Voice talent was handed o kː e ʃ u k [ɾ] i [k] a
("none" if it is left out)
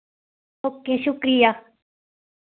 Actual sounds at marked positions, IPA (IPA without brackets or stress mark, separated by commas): ɾ, none